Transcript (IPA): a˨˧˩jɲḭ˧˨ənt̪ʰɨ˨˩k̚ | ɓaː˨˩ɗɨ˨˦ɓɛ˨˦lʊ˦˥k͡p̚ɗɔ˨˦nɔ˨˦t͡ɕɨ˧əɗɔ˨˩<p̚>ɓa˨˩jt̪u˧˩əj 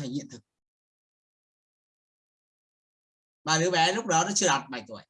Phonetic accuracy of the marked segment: incorrect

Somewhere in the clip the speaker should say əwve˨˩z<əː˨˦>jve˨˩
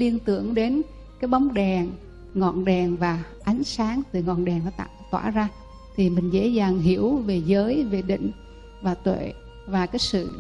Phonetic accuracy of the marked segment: correct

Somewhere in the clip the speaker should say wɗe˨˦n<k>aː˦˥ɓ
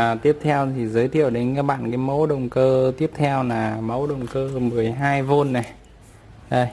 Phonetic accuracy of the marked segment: correct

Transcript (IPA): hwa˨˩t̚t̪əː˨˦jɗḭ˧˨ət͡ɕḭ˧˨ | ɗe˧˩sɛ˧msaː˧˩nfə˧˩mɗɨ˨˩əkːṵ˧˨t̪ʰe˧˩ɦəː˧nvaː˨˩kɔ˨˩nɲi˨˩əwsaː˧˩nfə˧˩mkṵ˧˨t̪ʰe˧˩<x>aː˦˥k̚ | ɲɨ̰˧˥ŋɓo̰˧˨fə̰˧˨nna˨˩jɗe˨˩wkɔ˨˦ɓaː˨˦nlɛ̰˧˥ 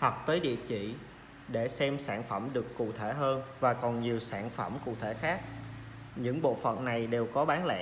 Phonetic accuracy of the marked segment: correct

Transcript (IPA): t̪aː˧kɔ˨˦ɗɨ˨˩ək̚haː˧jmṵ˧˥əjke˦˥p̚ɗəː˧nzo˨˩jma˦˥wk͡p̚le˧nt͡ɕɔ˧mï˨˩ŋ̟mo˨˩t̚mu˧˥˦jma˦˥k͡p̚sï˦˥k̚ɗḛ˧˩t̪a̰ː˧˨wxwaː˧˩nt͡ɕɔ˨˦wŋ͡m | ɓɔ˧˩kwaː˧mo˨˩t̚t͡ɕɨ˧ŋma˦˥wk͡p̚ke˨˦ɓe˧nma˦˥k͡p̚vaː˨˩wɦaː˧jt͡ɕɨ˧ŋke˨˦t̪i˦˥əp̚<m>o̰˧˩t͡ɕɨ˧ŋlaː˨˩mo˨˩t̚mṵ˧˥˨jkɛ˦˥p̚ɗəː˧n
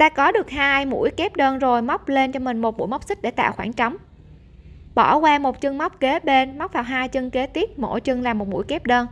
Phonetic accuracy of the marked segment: correct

